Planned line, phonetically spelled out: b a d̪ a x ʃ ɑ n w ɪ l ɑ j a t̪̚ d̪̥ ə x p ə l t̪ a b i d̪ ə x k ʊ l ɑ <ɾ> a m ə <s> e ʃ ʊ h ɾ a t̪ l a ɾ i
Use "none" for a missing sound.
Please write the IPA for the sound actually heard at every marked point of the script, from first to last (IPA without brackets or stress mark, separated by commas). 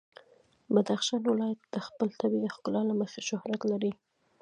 l, x